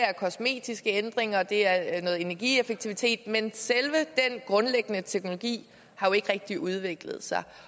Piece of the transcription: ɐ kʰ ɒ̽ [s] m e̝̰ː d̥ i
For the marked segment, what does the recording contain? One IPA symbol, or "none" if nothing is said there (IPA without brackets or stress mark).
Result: s